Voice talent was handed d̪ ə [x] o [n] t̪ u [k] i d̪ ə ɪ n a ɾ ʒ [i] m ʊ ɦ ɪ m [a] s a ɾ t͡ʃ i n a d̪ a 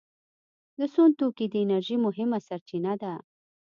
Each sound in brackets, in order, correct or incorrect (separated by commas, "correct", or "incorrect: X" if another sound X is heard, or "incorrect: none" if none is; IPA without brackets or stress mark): incorrect: s, correct, correct, correct, correct